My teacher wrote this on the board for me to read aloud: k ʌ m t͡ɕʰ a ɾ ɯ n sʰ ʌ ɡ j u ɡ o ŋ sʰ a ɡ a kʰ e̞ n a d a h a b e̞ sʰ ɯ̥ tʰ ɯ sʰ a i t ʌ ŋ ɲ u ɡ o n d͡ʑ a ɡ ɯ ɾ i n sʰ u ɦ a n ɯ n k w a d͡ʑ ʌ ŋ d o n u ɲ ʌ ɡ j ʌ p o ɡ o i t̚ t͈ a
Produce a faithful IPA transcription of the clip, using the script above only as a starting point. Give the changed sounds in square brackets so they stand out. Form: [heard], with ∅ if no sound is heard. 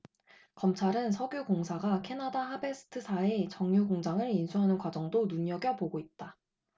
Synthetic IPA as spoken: k ʌ m t͡ɕʰ a ɾ ɯ n sʰ ʌ ɡ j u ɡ o ŋ sʰ a ɡ a kʰ e̞ n a d a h a b e̞ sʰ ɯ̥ tʰ ɯ sʰ a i [t͡ɕ] ʌ ŋ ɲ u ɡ o [ŋ] d͡ʑ a [ŋ] ɯ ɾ i n sʰ u ɦ a n ɯ n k w a d͡ʑ ʌ ŋ d o n u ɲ ʌ ɡ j ʌ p o ɡ o i t̚ t͈ a